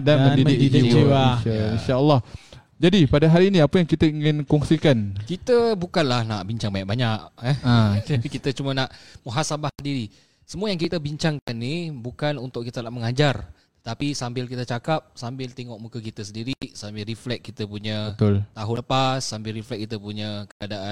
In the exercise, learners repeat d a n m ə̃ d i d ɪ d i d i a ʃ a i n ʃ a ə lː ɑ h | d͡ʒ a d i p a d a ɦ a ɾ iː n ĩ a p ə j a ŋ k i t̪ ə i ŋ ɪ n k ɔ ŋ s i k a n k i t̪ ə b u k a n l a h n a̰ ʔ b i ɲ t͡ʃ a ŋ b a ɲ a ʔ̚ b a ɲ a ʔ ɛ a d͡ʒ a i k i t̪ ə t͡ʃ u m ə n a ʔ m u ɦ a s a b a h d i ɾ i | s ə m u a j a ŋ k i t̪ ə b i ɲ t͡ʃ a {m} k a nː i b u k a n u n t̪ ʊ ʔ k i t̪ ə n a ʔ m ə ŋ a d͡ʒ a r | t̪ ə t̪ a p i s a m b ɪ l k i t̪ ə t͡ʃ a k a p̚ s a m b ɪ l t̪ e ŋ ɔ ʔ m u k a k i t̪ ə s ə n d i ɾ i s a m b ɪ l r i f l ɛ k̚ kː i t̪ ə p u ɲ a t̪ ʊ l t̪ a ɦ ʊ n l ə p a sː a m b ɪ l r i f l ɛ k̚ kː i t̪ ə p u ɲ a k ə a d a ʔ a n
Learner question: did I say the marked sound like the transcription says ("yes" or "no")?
no